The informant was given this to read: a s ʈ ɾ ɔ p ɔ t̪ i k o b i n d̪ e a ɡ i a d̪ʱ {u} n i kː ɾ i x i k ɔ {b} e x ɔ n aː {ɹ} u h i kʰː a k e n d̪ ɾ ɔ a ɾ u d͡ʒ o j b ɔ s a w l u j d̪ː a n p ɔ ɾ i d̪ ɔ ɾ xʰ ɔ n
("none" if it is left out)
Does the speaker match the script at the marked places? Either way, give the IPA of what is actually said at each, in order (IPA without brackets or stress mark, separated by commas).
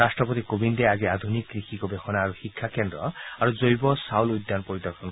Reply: u, b, ɾ